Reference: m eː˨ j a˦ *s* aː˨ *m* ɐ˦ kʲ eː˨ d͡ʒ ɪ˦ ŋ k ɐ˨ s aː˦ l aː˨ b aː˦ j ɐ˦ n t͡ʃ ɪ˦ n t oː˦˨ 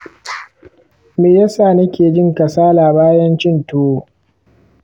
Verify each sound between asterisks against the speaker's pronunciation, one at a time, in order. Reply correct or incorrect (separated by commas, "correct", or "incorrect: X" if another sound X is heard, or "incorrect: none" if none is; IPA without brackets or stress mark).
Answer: correct, incorrect: n